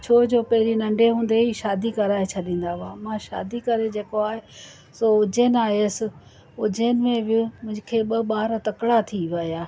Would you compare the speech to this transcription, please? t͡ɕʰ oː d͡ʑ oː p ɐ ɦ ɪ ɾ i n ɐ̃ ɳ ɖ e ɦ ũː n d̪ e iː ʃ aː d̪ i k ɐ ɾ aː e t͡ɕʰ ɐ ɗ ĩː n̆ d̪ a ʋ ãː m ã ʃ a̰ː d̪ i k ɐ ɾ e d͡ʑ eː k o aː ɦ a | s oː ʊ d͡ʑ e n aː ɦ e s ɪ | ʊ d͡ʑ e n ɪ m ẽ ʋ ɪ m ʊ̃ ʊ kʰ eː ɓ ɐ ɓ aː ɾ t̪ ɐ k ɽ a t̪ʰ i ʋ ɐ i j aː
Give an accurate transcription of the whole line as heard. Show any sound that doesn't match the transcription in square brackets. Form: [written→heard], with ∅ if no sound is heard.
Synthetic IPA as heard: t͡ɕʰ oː d͡ʑ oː p ɐ ɦ ɪ ɾ i n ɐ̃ ɳ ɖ e ɦ ũː n d̪ e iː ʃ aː d̪ i k ɐ ɾ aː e t͡ɕʰ ɐ ɗ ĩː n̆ d̪ a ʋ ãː m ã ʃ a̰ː d̪ i k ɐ ɾ e d͡ʑ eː k o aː ɦ [a→e] | s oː ʊ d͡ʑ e n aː ɦ e s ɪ | ʊ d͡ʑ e n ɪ m ẽ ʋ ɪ m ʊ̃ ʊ kʰ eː ɓ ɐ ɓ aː ɾ t̪ ɐ k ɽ a t̪ʰ i ʋ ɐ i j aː